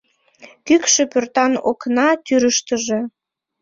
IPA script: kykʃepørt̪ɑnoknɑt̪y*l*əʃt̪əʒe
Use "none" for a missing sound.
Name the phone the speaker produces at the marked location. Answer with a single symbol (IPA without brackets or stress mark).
ɾ